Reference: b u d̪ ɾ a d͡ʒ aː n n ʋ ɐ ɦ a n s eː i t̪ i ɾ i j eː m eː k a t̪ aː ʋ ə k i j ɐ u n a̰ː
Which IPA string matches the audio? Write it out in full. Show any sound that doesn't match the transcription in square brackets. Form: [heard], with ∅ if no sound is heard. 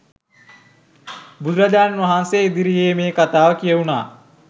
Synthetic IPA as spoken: b u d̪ ɾ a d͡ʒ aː n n ʋ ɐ ɦ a n s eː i [d̪] i ɾ i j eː m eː k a t̪ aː ʋ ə k i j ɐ u n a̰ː